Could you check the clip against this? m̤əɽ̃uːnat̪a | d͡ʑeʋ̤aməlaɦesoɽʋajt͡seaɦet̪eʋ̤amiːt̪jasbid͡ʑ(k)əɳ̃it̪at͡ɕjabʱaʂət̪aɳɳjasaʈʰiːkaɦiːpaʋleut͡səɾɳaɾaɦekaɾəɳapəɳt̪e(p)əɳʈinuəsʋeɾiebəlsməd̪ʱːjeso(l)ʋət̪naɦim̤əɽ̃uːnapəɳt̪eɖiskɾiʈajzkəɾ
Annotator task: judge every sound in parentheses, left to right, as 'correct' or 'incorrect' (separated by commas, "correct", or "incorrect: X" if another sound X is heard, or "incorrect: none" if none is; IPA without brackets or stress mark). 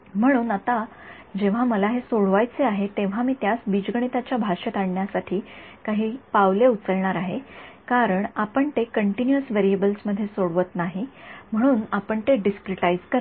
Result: incorrect: ɡ, incorrect: k, incorrect: ɽ